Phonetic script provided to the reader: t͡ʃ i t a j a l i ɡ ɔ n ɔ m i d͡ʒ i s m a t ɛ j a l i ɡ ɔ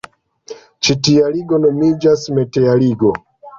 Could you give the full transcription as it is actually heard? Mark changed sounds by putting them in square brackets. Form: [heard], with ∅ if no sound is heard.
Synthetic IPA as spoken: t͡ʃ i t [i] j a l i ɡ ɔ n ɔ m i d͡ʒ [a] s m [ɛ] t ɛ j a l i ɡ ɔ